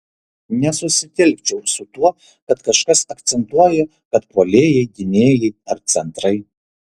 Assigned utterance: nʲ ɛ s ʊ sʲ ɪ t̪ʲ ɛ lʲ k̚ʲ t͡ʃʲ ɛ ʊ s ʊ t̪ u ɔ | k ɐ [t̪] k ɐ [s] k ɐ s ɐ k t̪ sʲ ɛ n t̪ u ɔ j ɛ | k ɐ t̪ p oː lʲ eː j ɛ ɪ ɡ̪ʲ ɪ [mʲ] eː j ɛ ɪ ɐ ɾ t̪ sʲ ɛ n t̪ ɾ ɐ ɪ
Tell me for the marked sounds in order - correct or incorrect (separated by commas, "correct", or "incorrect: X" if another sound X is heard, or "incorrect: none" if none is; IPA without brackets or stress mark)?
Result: correct, incorrect: ʃ, incorrect: nʲ